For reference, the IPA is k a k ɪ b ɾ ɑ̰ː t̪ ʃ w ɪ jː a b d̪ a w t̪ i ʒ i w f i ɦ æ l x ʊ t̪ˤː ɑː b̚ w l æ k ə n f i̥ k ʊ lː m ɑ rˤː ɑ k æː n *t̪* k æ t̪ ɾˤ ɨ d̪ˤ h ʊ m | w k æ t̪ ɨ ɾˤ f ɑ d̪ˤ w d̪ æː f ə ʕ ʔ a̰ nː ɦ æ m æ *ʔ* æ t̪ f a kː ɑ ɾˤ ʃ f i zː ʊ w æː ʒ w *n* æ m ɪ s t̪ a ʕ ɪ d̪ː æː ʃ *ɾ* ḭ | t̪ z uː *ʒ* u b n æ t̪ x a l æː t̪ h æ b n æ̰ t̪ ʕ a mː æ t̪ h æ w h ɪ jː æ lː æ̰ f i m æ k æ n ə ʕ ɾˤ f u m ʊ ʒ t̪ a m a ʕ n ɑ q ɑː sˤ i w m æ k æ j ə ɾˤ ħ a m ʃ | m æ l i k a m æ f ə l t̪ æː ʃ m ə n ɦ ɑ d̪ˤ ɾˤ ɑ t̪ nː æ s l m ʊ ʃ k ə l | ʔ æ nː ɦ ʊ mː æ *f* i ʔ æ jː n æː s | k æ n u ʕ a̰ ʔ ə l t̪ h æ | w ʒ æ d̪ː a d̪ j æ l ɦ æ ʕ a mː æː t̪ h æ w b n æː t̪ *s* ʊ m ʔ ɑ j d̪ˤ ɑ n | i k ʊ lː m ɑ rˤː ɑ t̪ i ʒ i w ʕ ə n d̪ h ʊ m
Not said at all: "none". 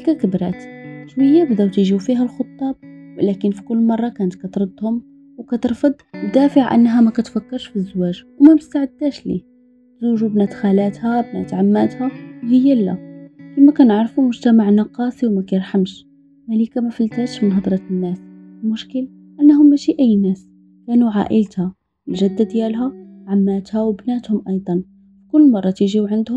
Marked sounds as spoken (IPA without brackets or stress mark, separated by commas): t̪, k, m, l, ʒ, ʃ, h